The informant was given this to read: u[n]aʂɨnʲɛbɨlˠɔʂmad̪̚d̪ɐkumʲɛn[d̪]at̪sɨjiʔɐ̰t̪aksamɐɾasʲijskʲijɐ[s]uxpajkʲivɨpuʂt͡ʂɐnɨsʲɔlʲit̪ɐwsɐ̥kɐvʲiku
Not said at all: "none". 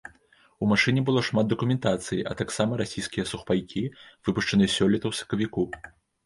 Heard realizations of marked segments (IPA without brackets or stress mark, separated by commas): m, t̪, s